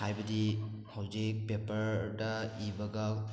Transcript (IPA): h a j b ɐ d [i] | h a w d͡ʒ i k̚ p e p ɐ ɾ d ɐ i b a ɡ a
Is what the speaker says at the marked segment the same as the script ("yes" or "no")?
yes